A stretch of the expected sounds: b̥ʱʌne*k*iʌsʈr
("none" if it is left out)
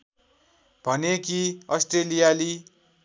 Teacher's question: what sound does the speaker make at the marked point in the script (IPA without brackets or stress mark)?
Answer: k